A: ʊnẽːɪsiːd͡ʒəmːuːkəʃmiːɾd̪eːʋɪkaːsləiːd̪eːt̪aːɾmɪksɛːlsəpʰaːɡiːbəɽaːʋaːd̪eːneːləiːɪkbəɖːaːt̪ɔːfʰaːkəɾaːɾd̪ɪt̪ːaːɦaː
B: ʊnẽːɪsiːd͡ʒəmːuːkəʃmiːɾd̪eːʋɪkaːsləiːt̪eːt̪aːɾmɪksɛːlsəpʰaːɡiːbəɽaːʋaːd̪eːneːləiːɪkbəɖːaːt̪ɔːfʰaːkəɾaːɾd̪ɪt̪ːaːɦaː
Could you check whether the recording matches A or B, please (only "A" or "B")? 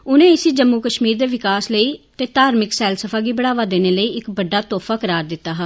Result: B